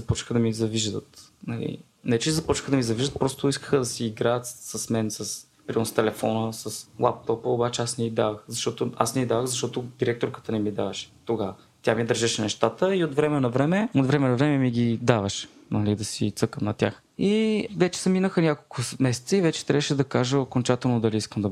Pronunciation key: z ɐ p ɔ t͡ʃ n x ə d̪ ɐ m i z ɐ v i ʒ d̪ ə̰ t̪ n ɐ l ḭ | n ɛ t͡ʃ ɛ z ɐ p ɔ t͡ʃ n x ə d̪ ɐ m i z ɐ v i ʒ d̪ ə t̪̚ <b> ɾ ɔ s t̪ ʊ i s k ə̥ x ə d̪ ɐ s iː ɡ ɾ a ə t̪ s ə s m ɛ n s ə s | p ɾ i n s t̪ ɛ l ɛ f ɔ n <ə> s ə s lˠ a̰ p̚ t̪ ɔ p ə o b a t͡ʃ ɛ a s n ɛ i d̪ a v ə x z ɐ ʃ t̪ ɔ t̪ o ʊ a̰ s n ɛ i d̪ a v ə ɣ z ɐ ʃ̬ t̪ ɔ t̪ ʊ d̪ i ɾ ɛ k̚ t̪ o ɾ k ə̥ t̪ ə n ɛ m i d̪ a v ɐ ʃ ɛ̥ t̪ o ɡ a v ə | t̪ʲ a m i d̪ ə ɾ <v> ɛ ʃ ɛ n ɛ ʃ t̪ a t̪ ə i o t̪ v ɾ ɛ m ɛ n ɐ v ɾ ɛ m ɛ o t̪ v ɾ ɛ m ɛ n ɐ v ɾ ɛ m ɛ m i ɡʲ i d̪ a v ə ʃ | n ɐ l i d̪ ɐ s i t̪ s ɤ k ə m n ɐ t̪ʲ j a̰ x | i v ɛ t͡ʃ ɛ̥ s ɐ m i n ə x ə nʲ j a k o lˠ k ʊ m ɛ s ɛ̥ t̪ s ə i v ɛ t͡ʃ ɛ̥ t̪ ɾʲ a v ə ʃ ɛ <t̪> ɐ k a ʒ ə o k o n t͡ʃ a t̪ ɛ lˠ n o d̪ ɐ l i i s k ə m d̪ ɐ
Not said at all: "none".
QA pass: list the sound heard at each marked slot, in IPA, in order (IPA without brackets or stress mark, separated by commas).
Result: p, ə, ʒ, d̪